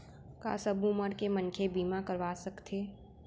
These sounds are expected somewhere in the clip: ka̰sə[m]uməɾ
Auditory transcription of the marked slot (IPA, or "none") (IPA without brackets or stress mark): b